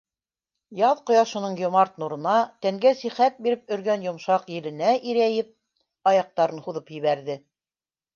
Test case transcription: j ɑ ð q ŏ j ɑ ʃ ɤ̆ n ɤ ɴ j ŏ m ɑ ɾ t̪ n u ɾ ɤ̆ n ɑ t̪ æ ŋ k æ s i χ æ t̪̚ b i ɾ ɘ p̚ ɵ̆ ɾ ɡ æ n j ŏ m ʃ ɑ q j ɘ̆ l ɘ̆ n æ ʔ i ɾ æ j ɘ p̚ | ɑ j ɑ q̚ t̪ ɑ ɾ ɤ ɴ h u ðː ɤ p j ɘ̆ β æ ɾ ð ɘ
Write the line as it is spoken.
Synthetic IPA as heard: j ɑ ð q ŏ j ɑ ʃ ɤ̆ n ɤ ɴ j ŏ m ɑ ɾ t̪ n u ɾ ɤ̆ n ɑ t̪ æ ŋ ɡ æ s i χ æ t̪̚ b i ɾ ɘ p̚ ɵ̆ ɾ ɡ æ n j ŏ m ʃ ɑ q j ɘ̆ l ɘ̆ n æ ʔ i ɾ æ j ɘ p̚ | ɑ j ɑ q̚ t̪ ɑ ɾ ɤ n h u ð ɤ p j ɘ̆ β æ ɾ ð ɘ